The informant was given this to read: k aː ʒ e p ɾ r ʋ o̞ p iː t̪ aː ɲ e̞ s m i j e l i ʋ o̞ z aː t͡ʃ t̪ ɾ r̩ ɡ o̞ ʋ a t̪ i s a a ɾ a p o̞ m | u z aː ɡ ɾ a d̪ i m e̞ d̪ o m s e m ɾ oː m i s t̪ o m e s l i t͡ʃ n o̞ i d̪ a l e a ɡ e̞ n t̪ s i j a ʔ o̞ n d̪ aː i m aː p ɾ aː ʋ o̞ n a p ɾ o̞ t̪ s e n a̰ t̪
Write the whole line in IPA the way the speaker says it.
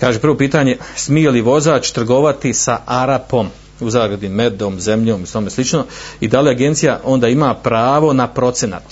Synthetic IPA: k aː ʒ e p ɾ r ʋ o̞ p iː t̪ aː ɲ e̞ s m i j e l i ʋ o̞ z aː t͡ʃ t̪ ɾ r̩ ɡ o̞ ʋ a t̪ i s a a ɾ a p o̞ m | u z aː ɡ ɾ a d̪ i m e̞ d̪ o m z e m ʎ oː m i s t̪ o m e s l i t͡ʃ n o̞ i d̪ a l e a ɡ e̞ n t̪ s i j a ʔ o̞ n d̪ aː i m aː p ɾ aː ʋ o̞ n a p ɾ o̞ t̪ s e n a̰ t̪